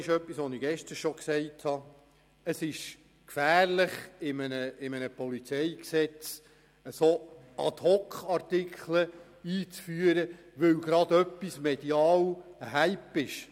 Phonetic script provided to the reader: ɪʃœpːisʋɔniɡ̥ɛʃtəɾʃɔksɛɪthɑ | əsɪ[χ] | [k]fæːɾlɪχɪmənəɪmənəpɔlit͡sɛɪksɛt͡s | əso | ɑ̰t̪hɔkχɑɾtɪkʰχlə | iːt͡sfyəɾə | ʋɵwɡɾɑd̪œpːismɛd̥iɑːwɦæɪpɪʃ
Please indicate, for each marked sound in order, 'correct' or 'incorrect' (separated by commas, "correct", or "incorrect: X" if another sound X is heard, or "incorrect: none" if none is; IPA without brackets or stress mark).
incorrect: ʃ, correct